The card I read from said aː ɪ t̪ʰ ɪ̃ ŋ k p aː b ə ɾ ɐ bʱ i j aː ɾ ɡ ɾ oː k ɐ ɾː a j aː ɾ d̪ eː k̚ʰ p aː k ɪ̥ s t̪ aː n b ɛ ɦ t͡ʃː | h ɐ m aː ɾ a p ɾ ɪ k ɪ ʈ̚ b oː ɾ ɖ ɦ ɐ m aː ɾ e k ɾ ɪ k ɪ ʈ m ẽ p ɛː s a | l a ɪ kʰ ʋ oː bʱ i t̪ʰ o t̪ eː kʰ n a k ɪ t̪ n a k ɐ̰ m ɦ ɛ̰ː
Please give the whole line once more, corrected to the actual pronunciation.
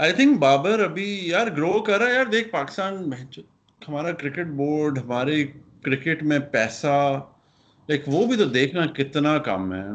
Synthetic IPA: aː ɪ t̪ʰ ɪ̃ ŋ k b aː b ə ɾ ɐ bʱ i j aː ɾ ɡ ɾ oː k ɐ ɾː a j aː ɾ d̪ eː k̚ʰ p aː k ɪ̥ s t̪ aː n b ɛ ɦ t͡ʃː | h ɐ m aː ɾ a k ɾ ɪ k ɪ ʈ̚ b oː ɾ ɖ ɦ ɐ m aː ɾ e k ɾ ɪ k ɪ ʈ m ẽ p ɛː s a | l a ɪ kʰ ʋ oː bʱ i t̪ o d̪ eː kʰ n a k ɪ t̪ n a k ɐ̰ m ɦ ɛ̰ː